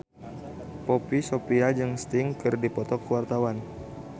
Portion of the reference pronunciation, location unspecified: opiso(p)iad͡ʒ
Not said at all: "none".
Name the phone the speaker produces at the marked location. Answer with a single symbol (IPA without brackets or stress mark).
p